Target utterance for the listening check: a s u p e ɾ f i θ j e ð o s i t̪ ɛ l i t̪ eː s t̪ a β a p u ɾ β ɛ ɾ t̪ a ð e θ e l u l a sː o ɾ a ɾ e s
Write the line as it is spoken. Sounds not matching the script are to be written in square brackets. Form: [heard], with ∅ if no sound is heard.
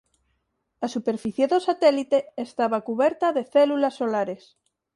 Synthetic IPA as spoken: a s u p e ɾ f i θ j e ð o s [a] t̪ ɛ l i t̪ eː s t̪ a β a [k] u [∅] β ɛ ɾ t̪ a ð e θ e l u l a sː o [l] a ɾ e s